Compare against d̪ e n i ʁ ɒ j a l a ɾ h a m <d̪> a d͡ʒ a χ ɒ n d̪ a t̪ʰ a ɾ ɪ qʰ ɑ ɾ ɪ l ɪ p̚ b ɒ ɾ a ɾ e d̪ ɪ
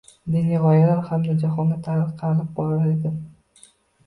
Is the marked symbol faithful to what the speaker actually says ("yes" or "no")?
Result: yes